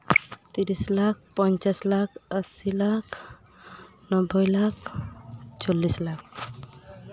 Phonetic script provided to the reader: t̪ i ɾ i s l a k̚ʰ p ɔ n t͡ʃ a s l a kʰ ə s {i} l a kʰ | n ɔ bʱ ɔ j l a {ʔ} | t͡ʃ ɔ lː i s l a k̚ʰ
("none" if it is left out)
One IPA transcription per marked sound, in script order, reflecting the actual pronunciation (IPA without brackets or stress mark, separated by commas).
i, k